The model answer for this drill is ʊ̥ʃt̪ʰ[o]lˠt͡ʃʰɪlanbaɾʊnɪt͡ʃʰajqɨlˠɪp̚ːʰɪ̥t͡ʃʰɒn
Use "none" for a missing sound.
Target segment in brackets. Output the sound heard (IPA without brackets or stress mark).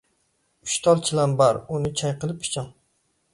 ɒ